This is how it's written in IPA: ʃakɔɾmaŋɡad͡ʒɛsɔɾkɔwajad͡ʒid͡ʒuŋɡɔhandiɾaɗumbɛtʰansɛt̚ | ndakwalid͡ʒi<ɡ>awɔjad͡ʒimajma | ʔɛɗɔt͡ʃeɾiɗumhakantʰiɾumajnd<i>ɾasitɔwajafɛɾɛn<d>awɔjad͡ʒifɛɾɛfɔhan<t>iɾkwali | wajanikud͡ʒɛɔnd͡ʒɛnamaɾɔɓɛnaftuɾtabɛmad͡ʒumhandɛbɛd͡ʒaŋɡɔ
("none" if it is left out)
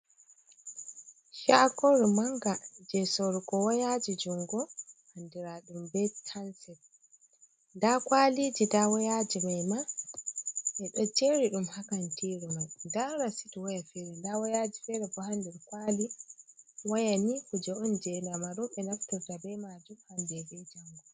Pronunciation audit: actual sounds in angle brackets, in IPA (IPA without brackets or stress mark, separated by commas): d, a, d, d